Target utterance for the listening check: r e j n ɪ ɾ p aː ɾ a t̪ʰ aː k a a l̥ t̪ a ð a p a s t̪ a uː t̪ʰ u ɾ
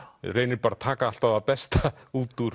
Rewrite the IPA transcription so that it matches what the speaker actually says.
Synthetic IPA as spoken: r e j n ɪ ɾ p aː ɾ a t̪ʰ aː k a a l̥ t̪ a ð a p ɛ s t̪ a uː t̪ u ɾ

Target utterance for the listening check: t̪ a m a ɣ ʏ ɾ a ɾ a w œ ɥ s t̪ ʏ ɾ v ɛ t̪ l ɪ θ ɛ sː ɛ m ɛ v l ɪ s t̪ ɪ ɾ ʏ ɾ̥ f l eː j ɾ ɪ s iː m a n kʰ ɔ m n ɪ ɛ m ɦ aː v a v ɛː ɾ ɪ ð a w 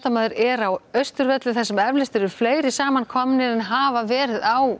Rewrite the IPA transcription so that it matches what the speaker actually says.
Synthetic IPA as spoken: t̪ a m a ð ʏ ɾ ɛ ɾ a w œ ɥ s t̪ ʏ ɾ v ɛ t̪ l ɪ θ ɛ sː ɛ m ɛ v l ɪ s t̪ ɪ ɾ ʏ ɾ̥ f l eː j ɾ ɪ s aː m a n kʰ ɔ m n ɪ ɛ n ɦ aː v a v ɛː ɾ ɪ ð a w

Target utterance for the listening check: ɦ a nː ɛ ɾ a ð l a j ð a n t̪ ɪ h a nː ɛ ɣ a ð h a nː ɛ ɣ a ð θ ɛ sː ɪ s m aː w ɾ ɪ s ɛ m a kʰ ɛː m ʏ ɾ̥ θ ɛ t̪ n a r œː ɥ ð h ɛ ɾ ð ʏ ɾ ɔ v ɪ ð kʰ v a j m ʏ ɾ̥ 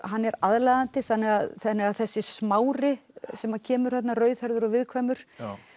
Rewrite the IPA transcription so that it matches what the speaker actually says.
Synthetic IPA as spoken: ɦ a nː ɛ ɾ a ð l a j ð a n t̪ ɪ θ a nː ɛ ɣ a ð θ a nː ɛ ɣ a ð θ ɛ sː ɪ s m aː w ɾ ɪ s ɛ m a cʰ ɛː m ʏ ɾ̥ θ ɛ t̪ n a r œː ɥ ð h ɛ ɾ ð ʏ ɾ ɔ v ɪ ð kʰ v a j m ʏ ɾ̥

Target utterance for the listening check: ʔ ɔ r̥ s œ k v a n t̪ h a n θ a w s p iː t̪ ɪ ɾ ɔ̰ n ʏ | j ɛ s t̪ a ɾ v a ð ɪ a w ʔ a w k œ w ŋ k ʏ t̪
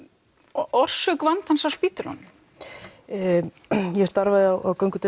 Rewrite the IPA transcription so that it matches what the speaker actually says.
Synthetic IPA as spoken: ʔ ɔ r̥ s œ k v a n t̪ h a n s a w s p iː t̪ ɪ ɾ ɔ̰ n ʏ | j ɛ s t̪ a ɾ v a ð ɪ a w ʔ a w k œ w ŋ k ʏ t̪

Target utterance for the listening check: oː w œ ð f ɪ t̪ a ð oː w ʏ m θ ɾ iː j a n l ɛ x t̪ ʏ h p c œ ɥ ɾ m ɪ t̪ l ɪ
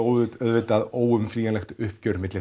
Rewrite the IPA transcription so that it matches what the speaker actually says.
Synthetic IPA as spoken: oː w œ ð v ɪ t̪ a ð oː w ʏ m f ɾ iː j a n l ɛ x t̪ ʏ h p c œ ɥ ɾ m ɪ t̪ l ɪ

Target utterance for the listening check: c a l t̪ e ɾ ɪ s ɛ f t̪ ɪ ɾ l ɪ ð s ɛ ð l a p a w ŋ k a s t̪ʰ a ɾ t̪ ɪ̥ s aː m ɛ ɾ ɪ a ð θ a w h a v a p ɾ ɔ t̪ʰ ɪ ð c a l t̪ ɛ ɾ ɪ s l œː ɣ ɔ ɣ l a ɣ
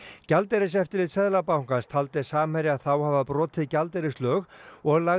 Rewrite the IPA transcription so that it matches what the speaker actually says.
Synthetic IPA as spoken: c a l t̪ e ɾ ɪ s ɛ f t̪ ɪ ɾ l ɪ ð s ɛ ð l a p a w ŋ k a s t̪ʰ a l t̪ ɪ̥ s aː m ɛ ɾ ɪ a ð θ a w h a v a p ɾ ɔː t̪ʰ ɪ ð c a l t̪ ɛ ɾ ɪ s l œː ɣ ɔ ɣ l a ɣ

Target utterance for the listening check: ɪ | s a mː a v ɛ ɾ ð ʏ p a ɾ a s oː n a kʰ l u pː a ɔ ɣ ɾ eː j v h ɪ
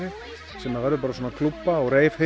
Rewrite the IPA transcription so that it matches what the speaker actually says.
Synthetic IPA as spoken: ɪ | s ɛ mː a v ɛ ɾ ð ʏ p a ɾ a s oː n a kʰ l u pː a ɔ ɣ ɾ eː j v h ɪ

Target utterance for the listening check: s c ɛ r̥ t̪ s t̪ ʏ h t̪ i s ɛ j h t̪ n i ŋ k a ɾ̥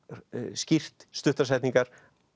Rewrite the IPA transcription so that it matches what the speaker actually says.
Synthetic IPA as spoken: s c i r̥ t̪ s t̪ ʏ h t̪ a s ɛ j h t̪ n i ŋ k a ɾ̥

